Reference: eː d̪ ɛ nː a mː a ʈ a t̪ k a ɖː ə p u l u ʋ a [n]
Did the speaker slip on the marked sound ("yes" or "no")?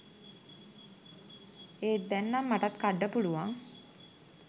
yes